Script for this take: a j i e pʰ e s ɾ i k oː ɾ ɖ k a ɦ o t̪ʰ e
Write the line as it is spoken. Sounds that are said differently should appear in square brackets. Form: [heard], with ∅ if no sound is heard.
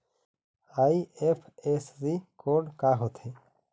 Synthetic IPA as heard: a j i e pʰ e s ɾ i k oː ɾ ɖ k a ɦ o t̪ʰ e